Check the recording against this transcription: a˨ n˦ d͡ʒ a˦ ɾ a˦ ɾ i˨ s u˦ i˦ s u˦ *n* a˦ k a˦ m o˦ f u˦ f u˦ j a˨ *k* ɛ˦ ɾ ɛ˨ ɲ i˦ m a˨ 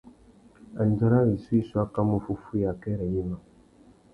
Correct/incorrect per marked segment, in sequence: incorrect: none, correct

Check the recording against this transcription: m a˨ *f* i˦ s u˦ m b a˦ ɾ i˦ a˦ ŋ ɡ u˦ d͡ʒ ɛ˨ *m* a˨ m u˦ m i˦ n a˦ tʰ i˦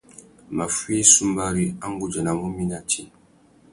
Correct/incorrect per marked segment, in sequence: correct, incorrect: n

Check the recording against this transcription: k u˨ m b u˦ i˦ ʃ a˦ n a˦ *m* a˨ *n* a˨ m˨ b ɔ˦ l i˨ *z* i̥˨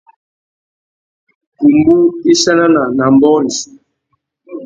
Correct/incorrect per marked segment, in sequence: incorrect: n, correct, incorrect: s

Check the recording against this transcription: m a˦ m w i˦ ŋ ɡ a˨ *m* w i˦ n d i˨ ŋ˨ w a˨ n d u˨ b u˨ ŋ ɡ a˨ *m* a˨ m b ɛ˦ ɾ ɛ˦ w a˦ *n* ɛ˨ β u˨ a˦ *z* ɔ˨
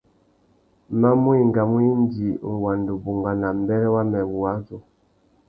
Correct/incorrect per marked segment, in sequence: correct, incorrect: n, incorrect: m, correct

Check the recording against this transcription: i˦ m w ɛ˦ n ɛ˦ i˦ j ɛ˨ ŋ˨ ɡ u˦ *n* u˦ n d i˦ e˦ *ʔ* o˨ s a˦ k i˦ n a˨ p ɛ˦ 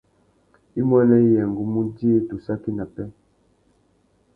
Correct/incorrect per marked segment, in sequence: incorrect: m, incorrect: t

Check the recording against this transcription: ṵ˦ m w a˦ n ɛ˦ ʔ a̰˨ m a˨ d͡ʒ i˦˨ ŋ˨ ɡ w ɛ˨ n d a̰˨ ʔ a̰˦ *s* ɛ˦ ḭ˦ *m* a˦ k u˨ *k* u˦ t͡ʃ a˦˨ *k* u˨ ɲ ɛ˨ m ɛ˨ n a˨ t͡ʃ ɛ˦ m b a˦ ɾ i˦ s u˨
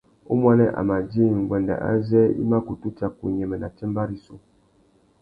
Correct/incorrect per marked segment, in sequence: incorrect: z, correct, incorrect: t, correct

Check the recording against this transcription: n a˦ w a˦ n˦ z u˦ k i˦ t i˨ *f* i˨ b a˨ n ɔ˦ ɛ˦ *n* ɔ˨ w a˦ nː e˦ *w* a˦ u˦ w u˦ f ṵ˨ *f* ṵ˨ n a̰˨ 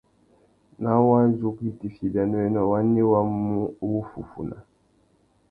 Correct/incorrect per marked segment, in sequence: correct, correct, correct, correct

